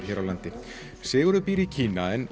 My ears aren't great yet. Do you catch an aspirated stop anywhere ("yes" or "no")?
yes